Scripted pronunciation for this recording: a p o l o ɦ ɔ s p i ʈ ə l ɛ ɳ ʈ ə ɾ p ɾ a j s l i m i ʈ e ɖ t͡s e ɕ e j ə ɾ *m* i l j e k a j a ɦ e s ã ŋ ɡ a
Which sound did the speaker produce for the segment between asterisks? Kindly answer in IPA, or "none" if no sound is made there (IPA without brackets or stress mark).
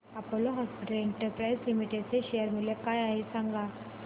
m